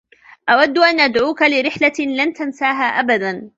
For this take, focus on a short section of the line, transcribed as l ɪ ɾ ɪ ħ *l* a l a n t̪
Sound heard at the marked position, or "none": l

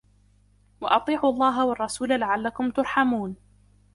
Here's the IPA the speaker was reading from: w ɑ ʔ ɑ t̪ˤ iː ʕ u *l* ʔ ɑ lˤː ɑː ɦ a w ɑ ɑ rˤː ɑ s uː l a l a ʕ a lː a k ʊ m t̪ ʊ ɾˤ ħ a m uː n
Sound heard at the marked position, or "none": none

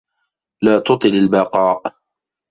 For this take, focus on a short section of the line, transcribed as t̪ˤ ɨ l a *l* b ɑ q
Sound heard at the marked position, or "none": l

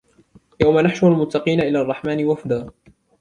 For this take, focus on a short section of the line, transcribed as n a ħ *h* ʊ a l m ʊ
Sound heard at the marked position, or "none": ʃ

